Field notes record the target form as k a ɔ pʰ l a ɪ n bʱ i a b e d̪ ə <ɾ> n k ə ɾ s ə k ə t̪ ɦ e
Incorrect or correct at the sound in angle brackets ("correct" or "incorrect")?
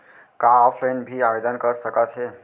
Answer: incorrect